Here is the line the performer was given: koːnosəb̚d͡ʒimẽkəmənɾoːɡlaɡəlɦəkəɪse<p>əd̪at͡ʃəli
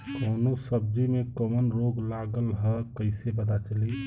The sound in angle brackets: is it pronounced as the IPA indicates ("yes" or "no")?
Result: no